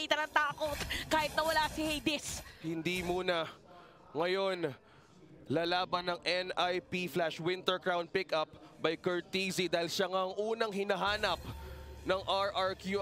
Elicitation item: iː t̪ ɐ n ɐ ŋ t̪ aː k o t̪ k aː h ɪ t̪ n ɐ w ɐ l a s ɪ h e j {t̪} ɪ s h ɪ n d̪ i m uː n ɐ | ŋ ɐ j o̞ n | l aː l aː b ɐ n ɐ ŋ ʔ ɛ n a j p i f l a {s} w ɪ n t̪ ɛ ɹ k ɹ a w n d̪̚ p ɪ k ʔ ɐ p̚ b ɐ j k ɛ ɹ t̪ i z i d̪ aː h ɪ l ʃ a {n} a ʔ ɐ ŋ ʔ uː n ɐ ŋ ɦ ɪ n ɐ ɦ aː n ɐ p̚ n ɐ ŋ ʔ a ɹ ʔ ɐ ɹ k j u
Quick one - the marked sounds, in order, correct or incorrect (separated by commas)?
incorrect, incorrect, incorrect